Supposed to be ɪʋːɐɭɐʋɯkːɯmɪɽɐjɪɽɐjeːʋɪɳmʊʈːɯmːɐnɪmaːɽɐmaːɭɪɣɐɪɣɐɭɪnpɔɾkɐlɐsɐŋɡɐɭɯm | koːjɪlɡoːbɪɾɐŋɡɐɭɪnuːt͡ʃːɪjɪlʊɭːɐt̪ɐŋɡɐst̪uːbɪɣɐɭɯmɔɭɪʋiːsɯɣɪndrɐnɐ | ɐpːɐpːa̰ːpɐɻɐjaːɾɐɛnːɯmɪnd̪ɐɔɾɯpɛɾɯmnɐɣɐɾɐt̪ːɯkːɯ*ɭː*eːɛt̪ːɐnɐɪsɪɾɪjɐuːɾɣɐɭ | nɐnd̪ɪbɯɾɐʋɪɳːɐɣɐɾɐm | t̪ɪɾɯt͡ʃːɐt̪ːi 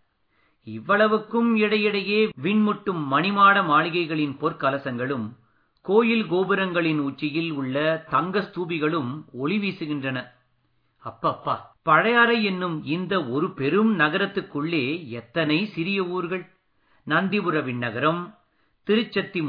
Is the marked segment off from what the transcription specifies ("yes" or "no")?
no